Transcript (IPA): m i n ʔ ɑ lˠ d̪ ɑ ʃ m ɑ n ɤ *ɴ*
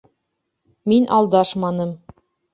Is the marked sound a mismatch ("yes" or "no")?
yes